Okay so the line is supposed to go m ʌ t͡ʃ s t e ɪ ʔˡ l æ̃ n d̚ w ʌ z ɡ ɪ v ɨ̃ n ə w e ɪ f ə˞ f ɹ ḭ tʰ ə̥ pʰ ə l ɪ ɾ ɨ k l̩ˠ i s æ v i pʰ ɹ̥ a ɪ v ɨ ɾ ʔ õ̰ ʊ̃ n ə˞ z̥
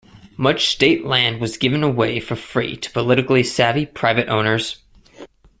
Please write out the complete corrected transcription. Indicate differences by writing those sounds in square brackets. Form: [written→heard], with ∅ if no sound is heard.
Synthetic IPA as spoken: m ʌ t͡ʃ s t e ɪ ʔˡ l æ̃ n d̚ w ʌ z ɡ ɪ v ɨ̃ n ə w e ɪ f ə˞ f ɹ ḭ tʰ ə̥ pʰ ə l ɪ ɾ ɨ k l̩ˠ i s æ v i pʰ ɹ̥ a ɪ v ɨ ɾ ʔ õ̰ ʊ̃ n ə˞ z̥